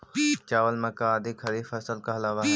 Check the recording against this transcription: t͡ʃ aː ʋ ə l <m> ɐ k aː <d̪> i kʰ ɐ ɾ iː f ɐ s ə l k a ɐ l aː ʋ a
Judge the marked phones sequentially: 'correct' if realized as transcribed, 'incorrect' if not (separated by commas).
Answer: correct, correct